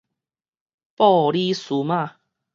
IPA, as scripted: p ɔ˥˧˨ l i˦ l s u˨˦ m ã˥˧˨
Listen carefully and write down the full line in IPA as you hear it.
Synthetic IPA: p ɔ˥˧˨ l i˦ s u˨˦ m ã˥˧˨